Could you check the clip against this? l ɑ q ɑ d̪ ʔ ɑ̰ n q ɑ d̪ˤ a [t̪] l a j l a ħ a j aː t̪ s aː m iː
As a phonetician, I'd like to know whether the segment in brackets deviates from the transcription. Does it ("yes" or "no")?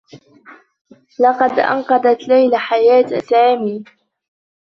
no